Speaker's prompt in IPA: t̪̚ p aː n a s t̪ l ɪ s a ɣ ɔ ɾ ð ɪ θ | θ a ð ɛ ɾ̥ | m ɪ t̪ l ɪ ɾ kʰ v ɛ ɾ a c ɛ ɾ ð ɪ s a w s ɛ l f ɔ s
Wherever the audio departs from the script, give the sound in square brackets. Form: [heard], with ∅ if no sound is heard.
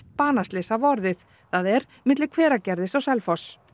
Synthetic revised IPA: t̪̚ p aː n a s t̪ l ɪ s a [v] ɔ ɾ ð ɪ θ | θ a ð ɛ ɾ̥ | m ɪ t̪ l ɪ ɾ kʰ v [ɛː] ɾ a c ɛ ɾ ð ɪ s a w s ɛ l f ɔ s